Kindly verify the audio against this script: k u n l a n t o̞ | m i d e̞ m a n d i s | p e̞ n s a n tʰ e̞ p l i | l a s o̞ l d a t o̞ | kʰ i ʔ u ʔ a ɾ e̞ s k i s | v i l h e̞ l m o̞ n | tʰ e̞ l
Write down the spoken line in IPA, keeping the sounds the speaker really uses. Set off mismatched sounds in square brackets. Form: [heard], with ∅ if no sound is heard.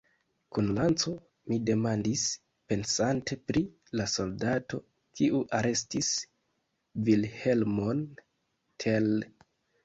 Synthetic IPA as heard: k u n l a n [t͡s] o̞ | m i d e̞ m a n d i s | p e̞ n s a n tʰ e̞ p [ɾ] i | l a s o̞ l d a t o̞ | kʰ i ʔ u ʔ a ɾ e̞ s [t] i s | v i l h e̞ l m o̞ n | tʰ e̞ l